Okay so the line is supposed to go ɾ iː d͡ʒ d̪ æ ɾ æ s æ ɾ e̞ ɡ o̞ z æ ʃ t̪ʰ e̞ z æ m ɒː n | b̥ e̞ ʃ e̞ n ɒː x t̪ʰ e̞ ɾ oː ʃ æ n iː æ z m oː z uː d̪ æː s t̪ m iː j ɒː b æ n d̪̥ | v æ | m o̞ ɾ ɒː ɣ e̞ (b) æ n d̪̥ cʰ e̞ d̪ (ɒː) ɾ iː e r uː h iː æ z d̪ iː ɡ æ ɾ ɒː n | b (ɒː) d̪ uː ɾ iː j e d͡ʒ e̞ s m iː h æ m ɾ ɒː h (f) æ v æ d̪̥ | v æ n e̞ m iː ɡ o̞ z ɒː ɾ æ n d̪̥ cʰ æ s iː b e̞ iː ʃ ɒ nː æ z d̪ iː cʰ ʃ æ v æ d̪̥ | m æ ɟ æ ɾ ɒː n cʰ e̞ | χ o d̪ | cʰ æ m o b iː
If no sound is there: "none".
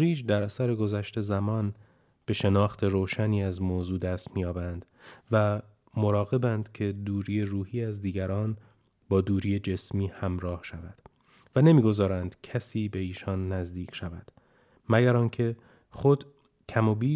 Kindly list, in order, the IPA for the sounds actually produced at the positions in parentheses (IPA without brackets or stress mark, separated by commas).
b, uː, ɒː, ʃ